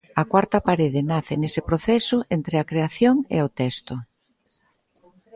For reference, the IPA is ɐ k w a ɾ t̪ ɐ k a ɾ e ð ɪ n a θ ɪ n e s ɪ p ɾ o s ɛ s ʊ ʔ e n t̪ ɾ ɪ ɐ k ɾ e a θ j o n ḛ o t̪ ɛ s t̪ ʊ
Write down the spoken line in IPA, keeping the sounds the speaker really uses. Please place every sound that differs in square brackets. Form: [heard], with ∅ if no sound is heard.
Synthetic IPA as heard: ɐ k w a ɾ t̪ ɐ [p] a ɾ e ð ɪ n a θ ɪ n e s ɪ p ɾ o [θ] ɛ s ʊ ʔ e n t̪ ɾ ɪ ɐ k ɾ e a θ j o [ŋ] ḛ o t̪ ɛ s t̪ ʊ